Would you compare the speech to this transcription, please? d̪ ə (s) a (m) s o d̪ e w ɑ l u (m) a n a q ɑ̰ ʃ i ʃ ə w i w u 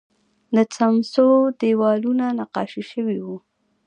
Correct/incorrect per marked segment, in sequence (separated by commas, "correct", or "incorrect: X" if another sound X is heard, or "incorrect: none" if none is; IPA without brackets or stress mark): incorrect: t͡s, correct, incorrect: n